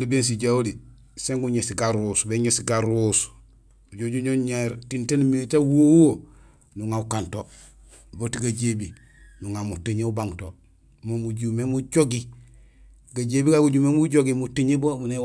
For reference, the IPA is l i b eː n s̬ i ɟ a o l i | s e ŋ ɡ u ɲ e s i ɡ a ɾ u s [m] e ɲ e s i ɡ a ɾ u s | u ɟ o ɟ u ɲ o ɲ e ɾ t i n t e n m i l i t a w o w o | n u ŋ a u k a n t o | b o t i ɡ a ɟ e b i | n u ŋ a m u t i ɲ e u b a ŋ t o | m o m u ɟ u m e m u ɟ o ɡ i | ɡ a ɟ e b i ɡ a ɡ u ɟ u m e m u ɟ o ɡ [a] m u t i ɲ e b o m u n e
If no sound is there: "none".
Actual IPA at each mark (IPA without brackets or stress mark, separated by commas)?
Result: b, i